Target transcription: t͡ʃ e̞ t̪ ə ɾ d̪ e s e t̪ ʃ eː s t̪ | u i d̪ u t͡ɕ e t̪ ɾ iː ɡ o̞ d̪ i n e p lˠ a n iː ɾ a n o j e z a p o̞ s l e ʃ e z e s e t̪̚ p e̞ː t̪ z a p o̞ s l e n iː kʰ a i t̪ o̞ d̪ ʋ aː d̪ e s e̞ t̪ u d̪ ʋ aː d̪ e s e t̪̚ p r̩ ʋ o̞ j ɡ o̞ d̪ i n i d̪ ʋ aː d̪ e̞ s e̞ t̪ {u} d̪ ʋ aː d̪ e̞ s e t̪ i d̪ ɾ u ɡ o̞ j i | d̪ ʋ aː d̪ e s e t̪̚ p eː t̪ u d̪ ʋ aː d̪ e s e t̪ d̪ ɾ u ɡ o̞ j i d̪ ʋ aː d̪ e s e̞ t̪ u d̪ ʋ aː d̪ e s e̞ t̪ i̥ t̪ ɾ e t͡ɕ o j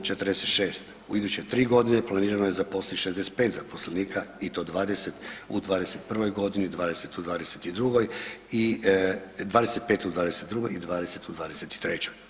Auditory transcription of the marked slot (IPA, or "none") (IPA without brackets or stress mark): u